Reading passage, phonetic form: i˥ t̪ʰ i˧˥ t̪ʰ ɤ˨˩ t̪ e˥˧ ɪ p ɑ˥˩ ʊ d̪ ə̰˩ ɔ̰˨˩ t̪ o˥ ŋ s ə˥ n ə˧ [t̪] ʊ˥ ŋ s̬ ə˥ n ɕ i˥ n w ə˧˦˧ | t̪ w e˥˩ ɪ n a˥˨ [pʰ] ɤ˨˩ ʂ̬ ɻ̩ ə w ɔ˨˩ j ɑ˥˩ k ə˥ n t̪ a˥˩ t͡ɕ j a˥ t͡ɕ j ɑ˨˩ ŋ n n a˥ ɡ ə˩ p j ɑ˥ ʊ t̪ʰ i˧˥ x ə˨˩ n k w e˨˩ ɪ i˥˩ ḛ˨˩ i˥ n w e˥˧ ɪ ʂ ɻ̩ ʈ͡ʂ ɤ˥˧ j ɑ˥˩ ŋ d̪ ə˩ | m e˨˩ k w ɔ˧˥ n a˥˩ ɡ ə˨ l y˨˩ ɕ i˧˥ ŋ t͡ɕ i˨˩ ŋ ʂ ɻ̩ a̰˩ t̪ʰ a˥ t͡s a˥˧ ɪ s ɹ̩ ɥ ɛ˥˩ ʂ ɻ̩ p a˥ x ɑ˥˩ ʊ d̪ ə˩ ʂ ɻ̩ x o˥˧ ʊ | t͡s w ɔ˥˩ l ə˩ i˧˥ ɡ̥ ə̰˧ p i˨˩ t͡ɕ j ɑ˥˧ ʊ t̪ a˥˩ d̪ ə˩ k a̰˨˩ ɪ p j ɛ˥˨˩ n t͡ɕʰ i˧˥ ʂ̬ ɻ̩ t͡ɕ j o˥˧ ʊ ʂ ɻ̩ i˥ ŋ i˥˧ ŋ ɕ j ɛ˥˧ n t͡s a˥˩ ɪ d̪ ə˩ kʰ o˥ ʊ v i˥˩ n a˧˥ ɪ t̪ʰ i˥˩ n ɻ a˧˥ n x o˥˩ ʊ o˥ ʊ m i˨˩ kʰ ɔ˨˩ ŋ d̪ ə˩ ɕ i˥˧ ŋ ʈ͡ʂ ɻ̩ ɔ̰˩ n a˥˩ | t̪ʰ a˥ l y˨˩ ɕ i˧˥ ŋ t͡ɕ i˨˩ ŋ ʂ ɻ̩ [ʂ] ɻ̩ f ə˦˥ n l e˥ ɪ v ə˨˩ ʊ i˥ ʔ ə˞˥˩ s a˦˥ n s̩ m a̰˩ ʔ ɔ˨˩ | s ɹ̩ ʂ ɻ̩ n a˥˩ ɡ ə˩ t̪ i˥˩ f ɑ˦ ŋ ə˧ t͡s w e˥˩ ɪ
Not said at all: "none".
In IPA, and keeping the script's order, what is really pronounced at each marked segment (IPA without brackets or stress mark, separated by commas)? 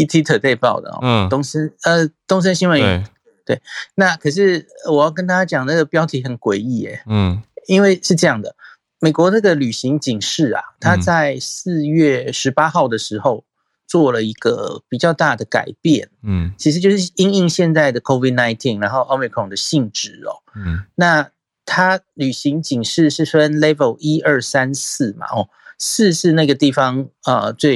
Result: t̪, kʰ, ʂ